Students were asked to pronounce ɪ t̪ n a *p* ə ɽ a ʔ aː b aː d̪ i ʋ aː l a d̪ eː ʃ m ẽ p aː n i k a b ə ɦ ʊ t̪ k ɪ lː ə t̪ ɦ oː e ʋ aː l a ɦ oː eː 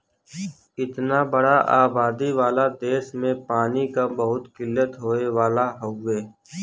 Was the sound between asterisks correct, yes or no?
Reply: no